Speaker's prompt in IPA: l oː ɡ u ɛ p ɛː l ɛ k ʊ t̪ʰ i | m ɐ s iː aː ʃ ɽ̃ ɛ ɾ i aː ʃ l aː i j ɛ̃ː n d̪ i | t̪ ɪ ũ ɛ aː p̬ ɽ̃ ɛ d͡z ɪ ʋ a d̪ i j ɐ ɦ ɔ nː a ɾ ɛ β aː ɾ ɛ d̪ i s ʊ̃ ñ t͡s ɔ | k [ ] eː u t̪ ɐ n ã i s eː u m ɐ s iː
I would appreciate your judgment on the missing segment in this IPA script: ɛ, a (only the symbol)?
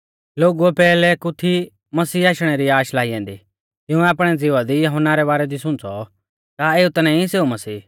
a